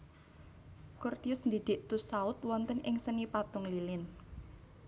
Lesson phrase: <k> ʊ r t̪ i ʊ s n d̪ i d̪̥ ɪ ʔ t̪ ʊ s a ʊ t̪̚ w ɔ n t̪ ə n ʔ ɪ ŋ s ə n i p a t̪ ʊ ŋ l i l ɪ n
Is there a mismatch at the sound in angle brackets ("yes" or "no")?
no